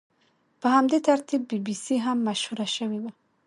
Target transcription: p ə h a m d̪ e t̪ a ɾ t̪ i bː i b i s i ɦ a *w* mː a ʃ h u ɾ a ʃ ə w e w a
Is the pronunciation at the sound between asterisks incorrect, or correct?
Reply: incorrect: none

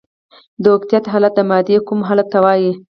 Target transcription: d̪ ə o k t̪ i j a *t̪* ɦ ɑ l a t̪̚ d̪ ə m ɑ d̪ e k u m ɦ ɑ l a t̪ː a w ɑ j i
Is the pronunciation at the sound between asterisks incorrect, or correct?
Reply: correct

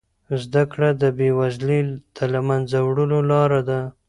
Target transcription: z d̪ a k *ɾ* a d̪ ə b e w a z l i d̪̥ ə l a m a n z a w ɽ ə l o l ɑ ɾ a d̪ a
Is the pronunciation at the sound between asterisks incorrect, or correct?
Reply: incorrect: ɽ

